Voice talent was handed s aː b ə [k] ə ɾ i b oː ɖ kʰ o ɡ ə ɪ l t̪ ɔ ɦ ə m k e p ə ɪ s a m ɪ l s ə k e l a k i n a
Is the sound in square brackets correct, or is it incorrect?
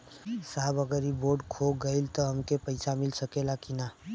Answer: incorrect: ɡ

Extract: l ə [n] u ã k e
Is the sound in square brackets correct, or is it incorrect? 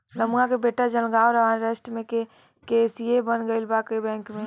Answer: incorrect: m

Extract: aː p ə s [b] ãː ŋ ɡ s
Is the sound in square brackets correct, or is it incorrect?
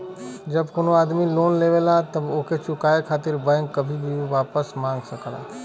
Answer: incorrect: m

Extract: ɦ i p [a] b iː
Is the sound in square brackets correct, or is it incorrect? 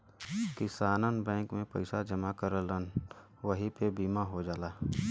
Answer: incorrect: e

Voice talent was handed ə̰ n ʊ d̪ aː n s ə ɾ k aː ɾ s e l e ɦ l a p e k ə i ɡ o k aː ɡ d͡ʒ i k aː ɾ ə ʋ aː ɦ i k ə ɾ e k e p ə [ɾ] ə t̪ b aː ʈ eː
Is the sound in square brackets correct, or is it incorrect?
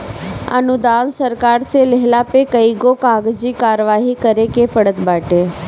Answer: incorrect: ɽ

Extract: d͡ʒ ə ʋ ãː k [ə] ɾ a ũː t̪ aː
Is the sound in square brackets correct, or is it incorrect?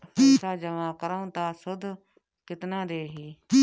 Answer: correct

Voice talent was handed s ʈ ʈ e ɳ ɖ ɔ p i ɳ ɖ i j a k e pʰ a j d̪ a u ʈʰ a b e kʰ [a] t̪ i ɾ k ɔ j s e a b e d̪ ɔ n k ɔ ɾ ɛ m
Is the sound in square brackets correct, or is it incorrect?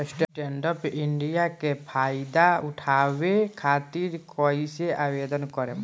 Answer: correct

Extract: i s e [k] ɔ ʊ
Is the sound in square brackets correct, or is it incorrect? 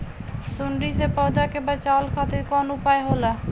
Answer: incorrect: p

